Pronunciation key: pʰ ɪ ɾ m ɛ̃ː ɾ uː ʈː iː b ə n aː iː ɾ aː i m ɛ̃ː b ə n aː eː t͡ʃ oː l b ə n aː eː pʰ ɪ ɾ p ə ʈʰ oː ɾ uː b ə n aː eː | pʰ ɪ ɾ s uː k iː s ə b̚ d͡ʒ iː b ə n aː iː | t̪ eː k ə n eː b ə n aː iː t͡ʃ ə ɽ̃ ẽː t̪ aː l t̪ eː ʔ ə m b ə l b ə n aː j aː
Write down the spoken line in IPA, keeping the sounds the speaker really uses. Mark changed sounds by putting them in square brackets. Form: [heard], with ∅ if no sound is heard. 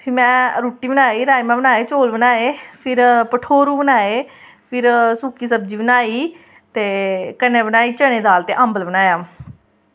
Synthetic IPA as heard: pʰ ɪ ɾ m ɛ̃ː ɾ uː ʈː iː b ə n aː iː ɾ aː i m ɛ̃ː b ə n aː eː t͡ʃ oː l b ə n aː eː pʰ ɪ ɾ p ə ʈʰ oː ɾ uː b ə n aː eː | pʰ ɪ ɾ s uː k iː s ə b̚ d͡ʒ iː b ə n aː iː | t̪ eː k ə n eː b ə n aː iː t͡ʃ ə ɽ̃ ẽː [d̪] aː l t̪ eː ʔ ə m b ə l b ə n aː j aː